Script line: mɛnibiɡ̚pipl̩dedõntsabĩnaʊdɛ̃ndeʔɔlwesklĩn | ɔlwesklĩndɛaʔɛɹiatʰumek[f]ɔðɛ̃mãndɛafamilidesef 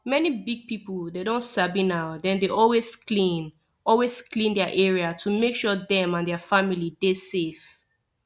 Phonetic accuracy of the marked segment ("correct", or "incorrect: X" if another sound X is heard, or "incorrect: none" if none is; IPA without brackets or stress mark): incorrect: ʃ